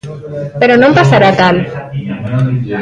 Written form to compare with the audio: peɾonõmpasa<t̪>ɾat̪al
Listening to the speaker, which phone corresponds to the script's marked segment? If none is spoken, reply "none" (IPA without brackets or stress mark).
none